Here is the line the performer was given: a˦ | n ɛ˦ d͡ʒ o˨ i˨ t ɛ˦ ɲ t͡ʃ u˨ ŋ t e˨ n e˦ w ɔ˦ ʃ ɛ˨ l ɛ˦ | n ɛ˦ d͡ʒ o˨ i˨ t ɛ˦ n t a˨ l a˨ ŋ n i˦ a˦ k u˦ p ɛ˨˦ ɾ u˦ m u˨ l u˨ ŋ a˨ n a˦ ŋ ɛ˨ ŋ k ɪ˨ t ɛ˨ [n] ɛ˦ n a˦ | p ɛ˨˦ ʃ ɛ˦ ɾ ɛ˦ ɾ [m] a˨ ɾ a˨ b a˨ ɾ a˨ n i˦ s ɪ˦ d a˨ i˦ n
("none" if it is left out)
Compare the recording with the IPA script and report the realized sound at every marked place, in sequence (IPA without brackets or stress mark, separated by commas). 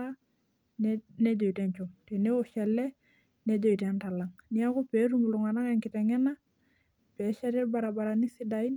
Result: ŋ, b